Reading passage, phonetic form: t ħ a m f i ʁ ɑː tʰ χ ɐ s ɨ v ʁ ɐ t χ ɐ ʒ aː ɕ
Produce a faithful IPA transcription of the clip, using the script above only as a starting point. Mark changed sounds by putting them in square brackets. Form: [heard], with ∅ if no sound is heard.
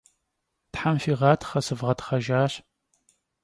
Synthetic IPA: t ħ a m f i ʁ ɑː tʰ χ ɐ s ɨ v ʁ ɐ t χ ɐ ʒ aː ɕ

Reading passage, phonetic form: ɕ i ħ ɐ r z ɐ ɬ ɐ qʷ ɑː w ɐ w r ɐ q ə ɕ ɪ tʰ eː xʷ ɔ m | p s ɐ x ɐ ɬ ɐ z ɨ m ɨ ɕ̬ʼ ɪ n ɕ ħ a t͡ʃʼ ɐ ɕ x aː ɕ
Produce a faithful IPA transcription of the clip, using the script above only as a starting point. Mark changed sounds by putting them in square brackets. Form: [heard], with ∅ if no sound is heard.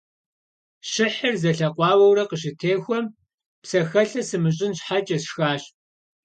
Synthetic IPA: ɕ [ɪ] ħ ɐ r z ɐ ɬ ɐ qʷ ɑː w ɐ w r ɐ q ə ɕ ɪ tʰ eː xʷ ɔ m | p s ɐ x ɐ ɬ ɐ [s] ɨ m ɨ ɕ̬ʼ ɪ n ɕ ħ a t͡ʃʼ ɐ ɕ x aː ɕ

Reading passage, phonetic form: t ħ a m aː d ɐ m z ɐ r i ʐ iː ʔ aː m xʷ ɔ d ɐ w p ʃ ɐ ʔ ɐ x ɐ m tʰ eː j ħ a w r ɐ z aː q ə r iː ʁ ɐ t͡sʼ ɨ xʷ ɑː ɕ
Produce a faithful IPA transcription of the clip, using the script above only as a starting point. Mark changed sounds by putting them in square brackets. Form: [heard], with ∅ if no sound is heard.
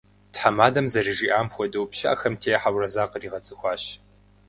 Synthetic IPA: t ħ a m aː d ɐ m z ɐ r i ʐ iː ʔ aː m xʷ ɔ d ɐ w p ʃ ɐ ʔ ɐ x ɐ m tʰ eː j ħ a w r ɐ z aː q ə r iː ʁ ɐ t͡sʼ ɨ xʷ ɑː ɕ

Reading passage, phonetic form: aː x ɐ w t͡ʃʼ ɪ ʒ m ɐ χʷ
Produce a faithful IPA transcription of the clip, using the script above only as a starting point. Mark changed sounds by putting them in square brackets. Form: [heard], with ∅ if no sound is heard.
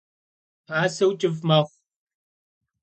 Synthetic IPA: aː [s] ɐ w t͡ʃʼ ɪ [v] m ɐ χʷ

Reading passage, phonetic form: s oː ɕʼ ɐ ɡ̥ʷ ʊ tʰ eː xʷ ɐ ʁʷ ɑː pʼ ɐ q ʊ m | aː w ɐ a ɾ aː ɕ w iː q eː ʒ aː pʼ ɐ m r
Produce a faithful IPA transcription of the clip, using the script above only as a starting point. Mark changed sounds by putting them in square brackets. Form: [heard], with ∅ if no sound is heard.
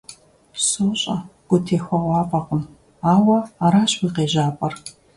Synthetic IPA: s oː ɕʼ ɐ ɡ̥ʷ ʊ tʰ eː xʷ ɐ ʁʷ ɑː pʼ ɐ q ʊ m | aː w ɐ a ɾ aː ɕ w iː q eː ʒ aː pʼ ɐ [∅] r

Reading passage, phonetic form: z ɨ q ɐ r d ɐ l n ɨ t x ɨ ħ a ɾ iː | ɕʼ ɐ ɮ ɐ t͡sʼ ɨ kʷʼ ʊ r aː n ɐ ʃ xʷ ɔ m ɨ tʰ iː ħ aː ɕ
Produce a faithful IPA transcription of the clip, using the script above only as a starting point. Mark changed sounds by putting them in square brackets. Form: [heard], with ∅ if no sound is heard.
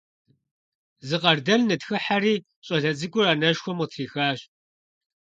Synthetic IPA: z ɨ q ɐ r d ɐ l n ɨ t x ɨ ħ a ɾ iː | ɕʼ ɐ ɮ ɐ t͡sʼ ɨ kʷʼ ʊ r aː n ɐ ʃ xʷ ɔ m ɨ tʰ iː [x] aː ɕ

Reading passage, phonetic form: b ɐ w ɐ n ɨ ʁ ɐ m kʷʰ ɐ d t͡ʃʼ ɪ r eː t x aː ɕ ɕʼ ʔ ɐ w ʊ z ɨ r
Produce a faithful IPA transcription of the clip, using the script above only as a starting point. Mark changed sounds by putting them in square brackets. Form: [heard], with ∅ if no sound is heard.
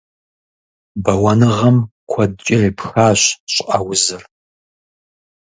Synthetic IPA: b ɐ w ɐ n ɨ ʁ ɐ m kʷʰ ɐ d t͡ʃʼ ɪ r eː [p] x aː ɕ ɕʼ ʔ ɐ w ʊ z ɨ r

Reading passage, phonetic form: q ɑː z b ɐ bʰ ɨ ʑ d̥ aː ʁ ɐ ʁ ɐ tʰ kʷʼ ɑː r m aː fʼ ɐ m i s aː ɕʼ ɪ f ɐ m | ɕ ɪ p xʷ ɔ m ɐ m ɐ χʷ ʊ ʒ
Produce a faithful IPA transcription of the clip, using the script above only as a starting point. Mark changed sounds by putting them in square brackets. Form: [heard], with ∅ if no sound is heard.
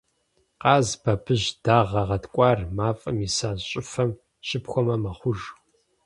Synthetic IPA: q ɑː z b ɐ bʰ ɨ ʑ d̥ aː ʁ ɐ ʁ ɐ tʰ kʷʼ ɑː r m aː fʼ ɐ m i s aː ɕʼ ɪ f ɐ m | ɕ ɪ p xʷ ɔ m ɐ m ɐ χʷ ʊ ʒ

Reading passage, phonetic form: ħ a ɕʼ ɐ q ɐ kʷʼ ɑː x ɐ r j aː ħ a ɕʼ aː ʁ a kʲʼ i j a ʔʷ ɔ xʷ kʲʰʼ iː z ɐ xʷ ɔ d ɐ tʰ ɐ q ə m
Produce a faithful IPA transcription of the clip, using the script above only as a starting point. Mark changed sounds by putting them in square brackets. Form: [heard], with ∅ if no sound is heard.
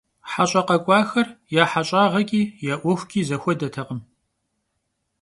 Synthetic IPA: ħ a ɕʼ ɐ q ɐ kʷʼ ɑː x ɐ r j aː ħ a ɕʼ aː ʁ [ɐ] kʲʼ [iː] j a ʔʷ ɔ xʷ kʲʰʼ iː z ɐ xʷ ɔ d ɐ tʰ ɐ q ə m

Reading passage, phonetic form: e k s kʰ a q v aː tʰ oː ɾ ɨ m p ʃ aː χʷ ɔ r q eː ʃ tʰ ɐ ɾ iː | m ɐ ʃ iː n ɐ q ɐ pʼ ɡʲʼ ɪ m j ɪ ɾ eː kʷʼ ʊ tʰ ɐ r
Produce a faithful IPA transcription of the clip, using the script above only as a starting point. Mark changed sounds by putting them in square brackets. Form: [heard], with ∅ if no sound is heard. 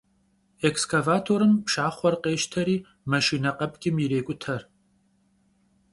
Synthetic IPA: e k s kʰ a [∅] v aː tʰ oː ɾ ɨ m p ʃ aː χʷ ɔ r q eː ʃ tʰ ɐ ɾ iː | m ɐ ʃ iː n ɐ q ɐ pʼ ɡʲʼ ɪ m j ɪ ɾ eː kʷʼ ʊ tʰ ɐ r

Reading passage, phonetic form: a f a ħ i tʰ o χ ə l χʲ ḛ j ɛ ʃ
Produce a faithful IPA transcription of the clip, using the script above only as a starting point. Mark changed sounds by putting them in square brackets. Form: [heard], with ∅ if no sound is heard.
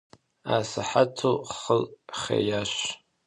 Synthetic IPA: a [s] a ħ [a] tʰ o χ ə l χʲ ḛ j [a] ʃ

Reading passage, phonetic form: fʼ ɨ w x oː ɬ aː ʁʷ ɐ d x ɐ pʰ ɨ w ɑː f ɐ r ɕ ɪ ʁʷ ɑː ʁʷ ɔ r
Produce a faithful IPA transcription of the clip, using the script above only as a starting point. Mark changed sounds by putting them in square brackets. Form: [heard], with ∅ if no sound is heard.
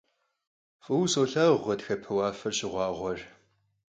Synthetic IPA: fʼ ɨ w [s] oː ɬ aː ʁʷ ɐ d x ɐ pʰ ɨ w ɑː f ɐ r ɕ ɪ ʁʷ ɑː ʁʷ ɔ r

